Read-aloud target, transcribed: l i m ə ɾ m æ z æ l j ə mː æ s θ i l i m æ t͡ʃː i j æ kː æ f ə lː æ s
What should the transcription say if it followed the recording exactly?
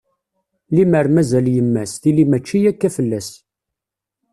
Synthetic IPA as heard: l i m ə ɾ m æ z æ l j ə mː æ s θ i l i m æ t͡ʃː i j æ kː æ f ə lː æ s